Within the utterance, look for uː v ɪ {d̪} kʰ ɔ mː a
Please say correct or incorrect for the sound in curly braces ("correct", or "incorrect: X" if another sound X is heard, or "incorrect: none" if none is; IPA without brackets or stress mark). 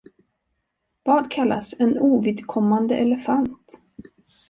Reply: correct